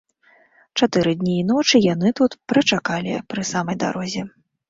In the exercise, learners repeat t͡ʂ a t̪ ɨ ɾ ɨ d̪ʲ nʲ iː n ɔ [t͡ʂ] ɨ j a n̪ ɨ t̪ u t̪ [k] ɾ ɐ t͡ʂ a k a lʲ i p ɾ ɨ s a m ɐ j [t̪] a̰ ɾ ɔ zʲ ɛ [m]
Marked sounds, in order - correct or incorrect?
correct, incorrect: p, incorrect: d̪, incorrect: none

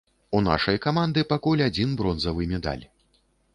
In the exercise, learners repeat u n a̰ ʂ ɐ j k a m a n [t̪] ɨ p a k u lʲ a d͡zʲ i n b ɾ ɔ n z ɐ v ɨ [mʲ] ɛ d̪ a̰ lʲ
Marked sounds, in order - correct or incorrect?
incorrect: d̪, correct

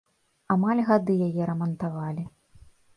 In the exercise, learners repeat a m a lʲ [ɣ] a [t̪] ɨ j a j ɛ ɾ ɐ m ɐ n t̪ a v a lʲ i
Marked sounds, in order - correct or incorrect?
correct, incorrect: d̪

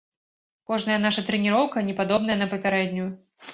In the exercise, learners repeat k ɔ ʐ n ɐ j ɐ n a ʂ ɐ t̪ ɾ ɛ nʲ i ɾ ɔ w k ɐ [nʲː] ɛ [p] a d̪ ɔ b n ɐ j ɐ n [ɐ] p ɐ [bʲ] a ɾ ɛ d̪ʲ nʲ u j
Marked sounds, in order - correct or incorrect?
incorrect: nʲ, correct, correct, incorrect: pʲ

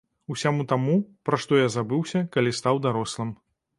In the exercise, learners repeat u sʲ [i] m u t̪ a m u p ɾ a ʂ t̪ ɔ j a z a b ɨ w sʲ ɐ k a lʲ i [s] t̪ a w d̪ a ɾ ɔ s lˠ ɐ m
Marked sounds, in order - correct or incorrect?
incorrect: a, correct

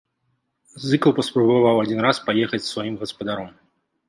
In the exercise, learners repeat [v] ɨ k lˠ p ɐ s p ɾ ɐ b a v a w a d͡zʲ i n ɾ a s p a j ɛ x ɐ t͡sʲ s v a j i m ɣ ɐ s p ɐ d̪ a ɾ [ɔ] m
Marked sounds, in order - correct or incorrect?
incorrect: z, correct

